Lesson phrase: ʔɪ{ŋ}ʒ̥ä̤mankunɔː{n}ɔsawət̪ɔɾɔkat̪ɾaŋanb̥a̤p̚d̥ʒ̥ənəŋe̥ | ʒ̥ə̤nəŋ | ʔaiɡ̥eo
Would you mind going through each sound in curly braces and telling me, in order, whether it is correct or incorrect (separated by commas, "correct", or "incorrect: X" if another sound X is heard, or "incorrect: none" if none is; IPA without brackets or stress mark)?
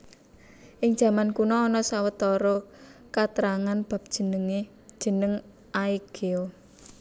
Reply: correct, correct